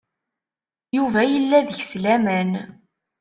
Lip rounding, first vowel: rounded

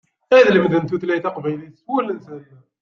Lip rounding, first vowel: unrounded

